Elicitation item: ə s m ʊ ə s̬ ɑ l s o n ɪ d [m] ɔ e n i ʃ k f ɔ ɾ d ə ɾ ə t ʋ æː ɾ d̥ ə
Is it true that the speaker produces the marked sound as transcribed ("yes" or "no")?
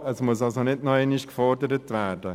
no